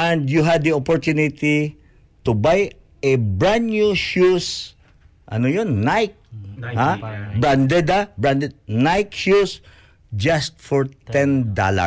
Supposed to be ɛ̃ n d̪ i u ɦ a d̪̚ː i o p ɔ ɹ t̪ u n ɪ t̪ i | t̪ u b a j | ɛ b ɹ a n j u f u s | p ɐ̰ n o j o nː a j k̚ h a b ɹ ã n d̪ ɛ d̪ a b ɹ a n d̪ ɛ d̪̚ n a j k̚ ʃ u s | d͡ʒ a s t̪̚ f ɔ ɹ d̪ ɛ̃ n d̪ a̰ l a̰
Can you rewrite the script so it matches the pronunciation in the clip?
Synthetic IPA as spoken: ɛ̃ n d̪ j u ɦ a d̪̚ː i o p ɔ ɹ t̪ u n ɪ t̪ i | t̪ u b a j | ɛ b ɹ a n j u ʃ u s | ʔ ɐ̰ n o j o nː a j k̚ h a b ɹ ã n d̪ ɛ d̪ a b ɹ a n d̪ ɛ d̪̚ n a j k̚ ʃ u s | d͡ʒ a s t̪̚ f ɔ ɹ t̪ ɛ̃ n d̪ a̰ l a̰